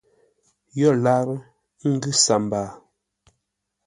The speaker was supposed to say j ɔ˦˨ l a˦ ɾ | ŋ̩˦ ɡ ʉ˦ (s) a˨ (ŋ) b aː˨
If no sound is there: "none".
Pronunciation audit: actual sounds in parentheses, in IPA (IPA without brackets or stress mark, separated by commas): s, m